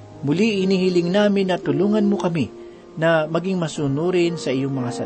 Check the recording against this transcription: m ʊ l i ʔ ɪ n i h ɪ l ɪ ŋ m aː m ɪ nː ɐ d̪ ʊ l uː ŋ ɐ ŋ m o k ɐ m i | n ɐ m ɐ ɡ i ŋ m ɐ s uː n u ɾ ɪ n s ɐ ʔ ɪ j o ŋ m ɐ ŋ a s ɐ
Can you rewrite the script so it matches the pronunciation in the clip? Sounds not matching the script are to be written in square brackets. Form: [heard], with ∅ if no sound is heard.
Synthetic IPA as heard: m ʊ l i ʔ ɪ n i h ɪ l ɪ ŋ [n] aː m ɪ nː ɐ [t̪] ʊ l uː ŋ ɐ [n] m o k ɐ m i | n ɐ m ɐ ɡ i ŋ m ɐ s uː n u ɾ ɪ n s ɐ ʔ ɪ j o ŋ m ɐ ŋ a s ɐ